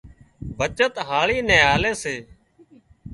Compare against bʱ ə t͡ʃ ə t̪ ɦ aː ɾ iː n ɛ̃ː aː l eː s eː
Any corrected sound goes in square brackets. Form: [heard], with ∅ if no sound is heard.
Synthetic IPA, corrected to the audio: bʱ ə t͡ʃ ə t̪ ɦ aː [ɭ] iː n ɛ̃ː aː l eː s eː